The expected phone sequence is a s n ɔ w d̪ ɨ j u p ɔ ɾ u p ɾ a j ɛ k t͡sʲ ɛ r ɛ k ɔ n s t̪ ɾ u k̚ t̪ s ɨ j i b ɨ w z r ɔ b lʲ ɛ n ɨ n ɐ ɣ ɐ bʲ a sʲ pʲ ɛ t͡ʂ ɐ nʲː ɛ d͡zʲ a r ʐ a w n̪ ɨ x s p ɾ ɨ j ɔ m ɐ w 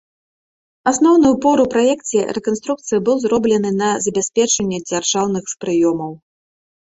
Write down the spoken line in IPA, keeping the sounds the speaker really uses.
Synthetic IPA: a s n ɔ w n̪ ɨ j u p ɔ ɾ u p ɾ a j ɛ k t͡sʲ ɛ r ɛ k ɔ n s t̪ ɾ u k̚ t̪ s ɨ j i b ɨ w z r ɔ b lʲ ɛ n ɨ n ɐ z ɐ bʲ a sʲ pʲ ɛ t͡ʂ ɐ nʲː ɛ d͡zʲ a r ʐ a w n̪ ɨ x s p ɾ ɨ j ɔ m ɐ w

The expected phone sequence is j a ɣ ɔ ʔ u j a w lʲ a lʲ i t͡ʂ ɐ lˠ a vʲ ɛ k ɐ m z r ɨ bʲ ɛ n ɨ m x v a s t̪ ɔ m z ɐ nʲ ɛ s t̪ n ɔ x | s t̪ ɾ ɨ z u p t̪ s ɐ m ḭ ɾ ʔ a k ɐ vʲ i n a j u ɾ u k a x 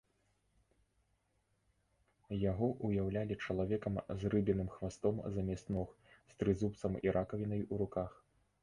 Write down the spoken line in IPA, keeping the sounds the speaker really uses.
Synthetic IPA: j a ɣ ɔ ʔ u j a w lʲ a lʲ i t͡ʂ ɐ lˠ a vʲ ɛ k ɐ m z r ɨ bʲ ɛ n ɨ m x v a s t̪ ɔ m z ɐ mʲ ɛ s t̪ n ɔ x | s t̪ ɾ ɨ z u p t̪ s ɐ m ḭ ɾ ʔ a k ɐ vʲ i n ɐ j u ɾ u k a x

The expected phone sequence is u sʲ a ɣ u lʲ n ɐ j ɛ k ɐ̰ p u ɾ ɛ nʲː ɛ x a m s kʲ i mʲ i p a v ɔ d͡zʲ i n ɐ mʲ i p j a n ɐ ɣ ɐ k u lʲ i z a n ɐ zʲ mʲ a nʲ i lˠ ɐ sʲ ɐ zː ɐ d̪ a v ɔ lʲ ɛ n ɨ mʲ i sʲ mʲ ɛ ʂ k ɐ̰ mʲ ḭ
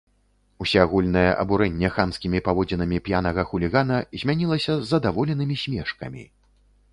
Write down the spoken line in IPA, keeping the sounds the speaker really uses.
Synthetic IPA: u sʲ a ɣ u lʲ n ɐ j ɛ ʔ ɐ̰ b u ɾ ɛ nʲː ɛ x a m s kʲ i mʲ i p a v ɔ d͡zʲ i n ɐ mʲ i p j a n ɐ ɣ ɐ x u lʲ i ɣ a n ɐ zʲ mʲ a nʲ i lˠ ɐ sʲ ɐ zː ɐ d̪ a v ɔ lʲ ɛ n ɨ mʲ i sʲ mʲ ɛ ʂ k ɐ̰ mʲ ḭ

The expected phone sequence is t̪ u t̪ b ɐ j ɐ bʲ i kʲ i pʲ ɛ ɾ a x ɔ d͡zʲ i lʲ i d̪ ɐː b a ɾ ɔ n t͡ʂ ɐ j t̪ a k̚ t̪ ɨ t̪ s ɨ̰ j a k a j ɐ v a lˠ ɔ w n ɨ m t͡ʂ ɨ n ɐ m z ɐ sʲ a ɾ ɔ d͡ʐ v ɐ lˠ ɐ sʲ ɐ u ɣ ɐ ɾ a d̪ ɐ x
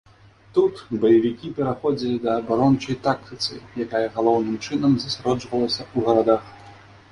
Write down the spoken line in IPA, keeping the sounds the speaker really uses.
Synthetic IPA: t̪ u t̪ b ɐ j ɐ vʲ i kʲ i pʲ ɛ ɾ a x ɔ d͡zʲ i lʲ i d̪ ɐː b a ɾ ɔ n t͡ʂ ɐ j t̪ a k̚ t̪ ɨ t̪ s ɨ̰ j a k a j ɐ ɣ a lˠ ɔ w n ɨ m t͡ʂ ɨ n ɐ m z ɐ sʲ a ɾ ɔ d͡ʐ v ɐ lˠ ɐ sʲ ɐ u ɣ ɐ ɾ a d̪ a x

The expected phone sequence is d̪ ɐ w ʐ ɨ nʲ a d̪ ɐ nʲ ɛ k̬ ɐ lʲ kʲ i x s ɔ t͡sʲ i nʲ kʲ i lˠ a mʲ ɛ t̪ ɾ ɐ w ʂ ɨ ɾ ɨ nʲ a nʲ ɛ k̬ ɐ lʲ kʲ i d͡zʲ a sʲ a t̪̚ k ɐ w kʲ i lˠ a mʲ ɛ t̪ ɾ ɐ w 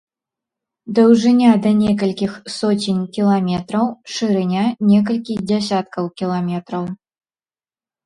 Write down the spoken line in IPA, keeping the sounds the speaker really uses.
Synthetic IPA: d̪ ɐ w ʐ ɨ nʲ a d̪ ɐ nʲ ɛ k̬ ɐ lʲ kʲ i x s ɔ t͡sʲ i nʲ kʲ i lˠ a mʲ ɛ t̪ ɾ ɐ w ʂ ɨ ɾ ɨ nʲ a nʲ ɛ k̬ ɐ lʲ kʲ i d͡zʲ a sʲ a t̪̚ k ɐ w kʲ i lˠ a mʲ ɛ t̪ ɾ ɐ w

